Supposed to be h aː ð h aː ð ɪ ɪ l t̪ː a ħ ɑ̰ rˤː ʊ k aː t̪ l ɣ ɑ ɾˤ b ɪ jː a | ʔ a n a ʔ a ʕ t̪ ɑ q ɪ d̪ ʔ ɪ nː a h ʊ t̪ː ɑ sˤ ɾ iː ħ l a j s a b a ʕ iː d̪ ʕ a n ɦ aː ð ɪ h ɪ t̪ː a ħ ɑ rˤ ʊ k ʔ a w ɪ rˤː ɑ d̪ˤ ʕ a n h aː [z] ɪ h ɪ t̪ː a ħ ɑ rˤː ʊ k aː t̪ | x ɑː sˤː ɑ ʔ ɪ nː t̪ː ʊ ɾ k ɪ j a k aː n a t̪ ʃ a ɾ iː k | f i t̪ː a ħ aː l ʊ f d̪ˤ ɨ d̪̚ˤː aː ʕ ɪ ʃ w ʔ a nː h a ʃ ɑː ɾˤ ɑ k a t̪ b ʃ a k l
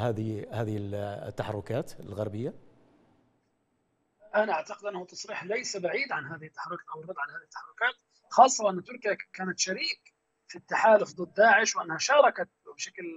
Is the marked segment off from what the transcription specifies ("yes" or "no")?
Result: yes